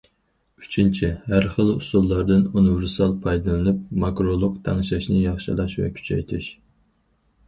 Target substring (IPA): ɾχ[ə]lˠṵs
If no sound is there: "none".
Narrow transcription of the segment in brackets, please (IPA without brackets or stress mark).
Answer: ə